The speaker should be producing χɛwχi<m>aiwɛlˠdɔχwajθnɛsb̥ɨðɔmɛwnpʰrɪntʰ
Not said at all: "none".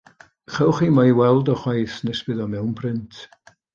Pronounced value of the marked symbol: m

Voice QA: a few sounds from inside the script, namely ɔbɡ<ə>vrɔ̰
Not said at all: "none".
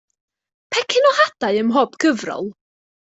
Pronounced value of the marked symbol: ə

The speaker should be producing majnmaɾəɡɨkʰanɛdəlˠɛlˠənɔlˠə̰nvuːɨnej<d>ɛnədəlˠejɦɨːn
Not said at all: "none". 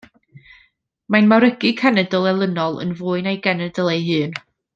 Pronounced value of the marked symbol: ɡ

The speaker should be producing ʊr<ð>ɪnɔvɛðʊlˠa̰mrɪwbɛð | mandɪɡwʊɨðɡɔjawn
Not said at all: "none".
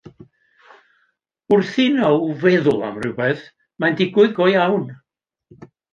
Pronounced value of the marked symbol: θ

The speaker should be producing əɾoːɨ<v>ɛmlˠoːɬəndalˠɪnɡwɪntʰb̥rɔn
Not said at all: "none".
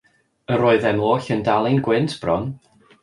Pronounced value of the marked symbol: ð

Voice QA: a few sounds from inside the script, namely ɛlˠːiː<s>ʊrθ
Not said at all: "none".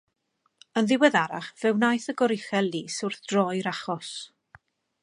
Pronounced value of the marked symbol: s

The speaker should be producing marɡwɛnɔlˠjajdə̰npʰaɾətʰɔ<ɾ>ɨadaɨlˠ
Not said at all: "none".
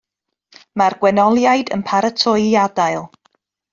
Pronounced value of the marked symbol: none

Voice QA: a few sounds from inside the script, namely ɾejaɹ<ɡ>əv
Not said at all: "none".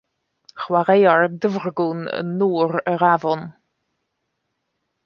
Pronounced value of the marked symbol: d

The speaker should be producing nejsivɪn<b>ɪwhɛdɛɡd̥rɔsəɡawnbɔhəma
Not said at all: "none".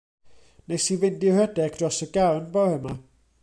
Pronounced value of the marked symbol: d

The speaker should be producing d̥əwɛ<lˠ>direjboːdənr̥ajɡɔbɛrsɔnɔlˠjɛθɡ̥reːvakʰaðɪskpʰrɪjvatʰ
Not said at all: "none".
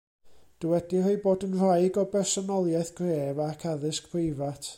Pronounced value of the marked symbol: none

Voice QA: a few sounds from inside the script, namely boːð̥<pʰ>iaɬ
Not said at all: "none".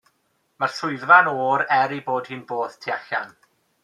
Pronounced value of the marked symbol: tʰ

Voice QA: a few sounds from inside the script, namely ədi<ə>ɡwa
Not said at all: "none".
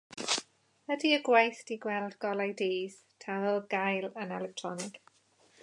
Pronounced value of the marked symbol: ə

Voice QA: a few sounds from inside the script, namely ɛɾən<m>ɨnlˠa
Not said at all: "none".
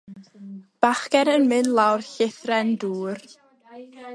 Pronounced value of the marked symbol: m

